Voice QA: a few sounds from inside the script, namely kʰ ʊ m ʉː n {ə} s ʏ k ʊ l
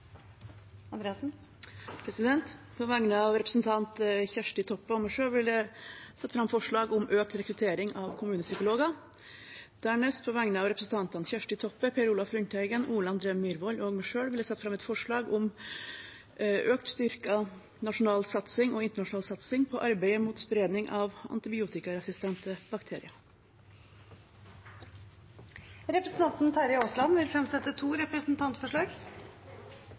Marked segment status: correct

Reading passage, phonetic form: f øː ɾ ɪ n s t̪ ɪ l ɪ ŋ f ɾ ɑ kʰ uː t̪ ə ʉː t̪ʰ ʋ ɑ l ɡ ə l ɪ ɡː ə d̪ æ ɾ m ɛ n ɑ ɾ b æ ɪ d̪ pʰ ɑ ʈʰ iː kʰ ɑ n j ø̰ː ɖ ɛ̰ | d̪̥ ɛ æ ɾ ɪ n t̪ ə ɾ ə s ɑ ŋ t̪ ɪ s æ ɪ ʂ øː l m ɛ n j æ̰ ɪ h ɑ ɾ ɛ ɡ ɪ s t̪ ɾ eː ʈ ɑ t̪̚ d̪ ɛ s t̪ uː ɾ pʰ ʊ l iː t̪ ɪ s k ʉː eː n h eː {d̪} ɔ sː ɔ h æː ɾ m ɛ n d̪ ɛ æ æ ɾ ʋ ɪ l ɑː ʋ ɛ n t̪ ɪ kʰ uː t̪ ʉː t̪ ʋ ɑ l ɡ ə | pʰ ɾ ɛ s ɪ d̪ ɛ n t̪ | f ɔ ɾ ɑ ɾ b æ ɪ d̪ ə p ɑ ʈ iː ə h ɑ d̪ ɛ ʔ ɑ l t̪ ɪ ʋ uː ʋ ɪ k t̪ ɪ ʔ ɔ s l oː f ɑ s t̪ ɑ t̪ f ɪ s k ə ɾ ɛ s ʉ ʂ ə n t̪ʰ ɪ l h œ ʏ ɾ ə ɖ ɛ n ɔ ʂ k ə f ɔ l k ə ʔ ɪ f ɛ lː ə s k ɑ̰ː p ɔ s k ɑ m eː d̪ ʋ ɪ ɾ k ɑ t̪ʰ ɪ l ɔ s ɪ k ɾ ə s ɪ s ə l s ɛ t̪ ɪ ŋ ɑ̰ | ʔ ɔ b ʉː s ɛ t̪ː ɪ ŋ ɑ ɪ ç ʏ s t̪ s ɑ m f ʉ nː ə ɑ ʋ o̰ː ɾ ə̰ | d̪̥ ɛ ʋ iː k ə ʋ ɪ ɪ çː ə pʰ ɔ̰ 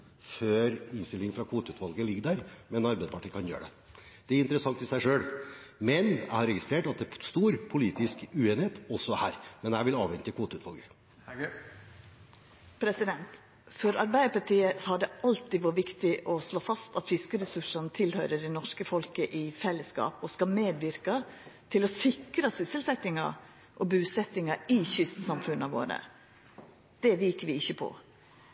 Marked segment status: incorrect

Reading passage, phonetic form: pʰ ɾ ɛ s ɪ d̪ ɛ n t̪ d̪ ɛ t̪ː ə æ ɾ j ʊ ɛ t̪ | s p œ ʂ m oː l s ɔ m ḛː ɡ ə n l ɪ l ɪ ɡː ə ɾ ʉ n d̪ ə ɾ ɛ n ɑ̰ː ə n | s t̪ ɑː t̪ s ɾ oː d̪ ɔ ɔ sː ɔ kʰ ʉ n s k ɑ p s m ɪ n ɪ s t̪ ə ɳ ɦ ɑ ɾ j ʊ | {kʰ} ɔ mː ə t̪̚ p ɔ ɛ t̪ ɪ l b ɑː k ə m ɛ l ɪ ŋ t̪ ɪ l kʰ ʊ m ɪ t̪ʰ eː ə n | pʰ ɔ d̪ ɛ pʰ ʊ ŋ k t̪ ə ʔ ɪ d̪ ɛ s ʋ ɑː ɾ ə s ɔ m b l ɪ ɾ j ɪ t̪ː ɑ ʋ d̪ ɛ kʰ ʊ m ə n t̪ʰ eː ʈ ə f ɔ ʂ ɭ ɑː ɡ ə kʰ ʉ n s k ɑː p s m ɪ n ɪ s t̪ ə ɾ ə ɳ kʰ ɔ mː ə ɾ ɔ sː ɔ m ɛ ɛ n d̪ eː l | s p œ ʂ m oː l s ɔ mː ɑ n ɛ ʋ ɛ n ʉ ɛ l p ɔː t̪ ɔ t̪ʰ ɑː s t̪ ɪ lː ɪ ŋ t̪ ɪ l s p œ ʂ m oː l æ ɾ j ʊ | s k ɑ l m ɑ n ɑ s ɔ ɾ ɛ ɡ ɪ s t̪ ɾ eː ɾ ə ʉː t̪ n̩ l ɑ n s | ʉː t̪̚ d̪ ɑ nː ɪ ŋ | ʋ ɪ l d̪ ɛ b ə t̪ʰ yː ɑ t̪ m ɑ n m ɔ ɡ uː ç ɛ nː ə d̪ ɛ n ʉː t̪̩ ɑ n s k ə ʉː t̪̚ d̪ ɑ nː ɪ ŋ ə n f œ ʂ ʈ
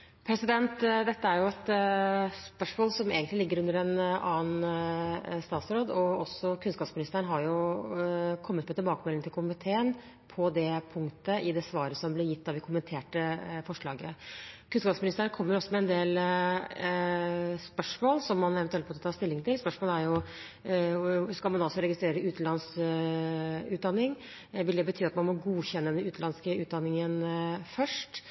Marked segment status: correct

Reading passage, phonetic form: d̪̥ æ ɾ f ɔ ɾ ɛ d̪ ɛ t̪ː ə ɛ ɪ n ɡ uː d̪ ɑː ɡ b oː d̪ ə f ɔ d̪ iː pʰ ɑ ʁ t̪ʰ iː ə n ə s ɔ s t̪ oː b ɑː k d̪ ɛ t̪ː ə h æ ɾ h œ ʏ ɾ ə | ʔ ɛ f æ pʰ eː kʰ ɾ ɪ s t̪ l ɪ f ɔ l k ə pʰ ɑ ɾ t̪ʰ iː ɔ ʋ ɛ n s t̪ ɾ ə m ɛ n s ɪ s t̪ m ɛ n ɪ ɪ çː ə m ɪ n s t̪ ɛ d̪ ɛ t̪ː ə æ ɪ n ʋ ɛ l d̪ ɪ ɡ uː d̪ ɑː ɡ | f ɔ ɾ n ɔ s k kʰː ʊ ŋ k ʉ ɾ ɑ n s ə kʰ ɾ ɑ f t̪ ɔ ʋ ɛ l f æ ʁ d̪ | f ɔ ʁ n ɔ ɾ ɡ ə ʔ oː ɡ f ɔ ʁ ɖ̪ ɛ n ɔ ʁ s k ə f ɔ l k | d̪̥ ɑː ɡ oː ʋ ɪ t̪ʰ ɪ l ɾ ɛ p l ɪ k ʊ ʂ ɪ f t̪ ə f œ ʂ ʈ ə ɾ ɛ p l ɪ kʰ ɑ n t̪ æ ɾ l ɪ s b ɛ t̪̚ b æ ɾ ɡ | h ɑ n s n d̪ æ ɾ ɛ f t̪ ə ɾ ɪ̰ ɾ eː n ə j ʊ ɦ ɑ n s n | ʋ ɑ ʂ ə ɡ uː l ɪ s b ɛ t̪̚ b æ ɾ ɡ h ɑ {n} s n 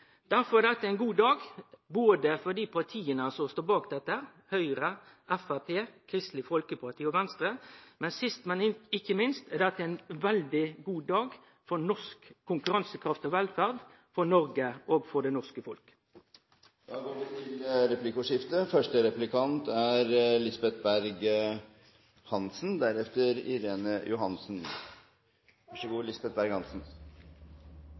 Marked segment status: correct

